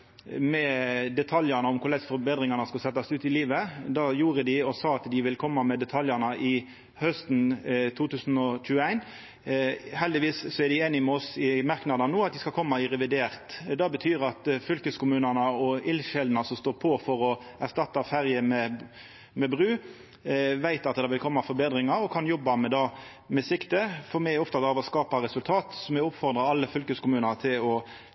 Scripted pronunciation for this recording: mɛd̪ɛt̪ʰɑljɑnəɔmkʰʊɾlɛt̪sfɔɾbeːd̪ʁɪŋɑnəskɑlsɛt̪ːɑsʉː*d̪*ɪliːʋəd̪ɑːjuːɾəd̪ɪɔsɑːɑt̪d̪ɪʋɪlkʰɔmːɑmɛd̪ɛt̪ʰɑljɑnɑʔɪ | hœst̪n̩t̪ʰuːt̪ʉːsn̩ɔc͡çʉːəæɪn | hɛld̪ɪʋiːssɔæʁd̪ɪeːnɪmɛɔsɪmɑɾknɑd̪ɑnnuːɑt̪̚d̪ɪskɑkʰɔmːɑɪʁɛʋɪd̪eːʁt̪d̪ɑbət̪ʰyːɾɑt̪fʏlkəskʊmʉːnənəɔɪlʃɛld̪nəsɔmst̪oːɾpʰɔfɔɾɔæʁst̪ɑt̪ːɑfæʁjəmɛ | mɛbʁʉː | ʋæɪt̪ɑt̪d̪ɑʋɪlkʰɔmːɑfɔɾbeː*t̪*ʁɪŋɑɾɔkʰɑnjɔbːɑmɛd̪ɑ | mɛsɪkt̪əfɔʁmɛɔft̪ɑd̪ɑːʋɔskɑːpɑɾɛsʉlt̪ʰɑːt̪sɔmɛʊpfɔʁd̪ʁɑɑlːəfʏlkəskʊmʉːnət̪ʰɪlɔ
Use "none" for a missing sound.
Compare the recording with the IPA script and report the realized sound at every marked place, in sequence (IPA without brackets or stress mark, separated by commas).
t̪, d̪